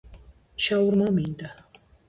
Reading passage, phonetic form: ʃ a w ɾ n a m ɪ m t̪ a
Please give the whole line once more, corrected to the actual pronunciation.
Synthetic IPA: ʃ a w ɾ m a m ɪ n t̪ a